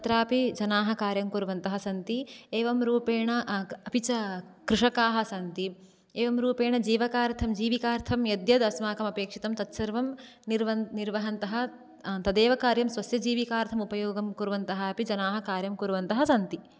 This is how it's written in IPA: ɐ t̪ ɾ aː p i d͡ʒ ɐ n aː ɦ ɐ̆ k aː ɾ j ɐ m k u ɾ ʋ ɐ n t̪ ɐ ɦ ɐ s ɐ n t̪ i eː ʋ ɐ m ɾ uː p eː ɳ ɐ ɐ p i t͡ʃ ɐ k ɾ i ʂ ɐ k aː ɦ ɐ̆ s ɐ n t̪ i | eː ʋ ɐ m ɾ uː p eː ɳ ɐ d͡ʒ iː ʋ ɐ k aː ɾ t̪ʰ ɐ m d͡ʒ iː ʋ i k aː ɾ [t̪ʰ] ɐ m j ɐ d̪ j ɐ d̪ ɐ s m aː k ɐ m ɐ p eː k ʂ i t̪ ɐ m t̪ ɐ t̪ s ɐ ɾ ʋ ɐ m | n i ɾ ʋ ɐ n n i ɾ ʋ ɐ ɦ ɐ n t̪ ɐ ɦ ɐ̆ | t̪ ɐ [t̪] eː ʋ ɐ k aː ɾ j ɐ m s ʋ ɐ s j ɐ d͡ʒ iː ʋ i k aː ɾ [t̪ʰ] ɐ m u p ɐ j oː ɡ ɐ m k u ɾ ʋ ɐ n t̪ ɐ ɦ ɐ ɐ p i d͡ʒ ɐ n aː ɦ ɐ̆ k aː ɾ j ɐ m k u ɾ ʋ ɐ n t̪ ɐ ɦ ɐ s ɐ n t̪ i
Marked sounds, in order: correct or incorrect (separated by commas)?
correct, incorrect, correct